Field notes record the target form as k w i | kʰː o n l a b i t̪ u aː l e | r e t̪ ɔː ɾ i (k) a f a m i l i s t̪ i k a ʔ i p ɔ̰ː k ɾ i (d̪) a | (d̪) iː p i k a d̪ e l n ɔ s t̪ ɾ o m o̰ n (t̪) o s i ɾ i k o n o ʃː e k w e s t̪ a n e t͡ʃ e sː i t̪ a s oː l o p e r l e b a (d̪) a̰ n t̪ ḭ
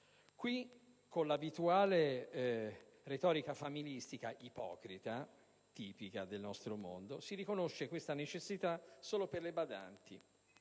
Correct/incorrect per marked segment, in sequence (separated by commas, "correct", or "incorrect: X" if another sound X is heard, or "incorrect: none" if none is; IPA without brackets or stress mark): correct, incorrect: t̪, incorrect: t̪, incorrect: d̪, correct